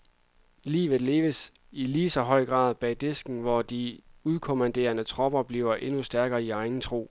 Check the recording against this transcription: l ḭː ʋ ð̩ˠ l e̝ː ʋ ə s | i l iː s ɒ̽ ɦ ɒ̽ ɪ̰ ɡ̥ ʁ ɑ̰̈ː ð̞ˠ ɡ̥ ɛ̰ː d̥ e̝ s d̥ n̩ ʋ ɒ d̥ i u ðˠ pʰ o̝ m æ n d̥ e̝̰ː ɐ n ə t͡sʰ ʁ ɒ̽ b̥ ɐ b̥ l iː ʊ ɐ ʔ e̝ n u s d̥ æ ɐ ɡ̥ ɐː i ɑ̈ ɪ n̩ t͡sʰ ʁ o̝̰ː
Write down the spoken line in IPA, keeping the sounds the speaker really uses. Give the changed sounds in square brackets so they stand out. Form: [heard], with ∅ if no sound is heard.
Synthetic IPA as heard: l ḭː ʋ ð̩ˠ l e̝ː ʋ ə s | i l iː s ɒ̽ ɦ ɒ̽ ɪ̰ ɡ̥ ʁ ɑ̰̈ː ð̞ˠ [b̥] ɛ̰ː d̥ e̝ s [ɡ̥] n̩ ʋ ɒ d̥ i u ðˠ [kʰ] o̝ m æ n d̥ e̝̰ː ɐ n ə t͡sʰ ʁ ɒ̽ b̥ ɐ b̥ l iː ʊ ɐ ʔ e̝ n u s d̥ æ ɐ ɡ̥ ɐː i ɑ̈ ɪ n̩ t͡sʰ ʁ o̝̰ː